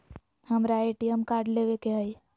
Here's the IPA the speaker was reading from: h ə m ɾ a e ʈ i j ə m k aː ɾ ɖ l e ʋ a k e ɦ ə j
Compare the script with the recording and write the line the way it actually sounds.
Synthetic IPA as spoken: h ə m ɾ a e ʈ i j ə m k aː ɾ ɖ l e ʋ e k e ɦ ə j